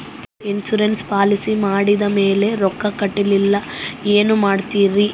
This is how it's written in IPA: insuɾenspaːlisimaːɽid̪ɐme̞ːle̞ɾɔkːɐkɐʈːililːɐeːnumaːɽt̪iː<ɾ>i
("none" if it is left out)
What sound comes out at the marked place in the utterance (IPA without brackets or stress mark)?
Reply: ɾ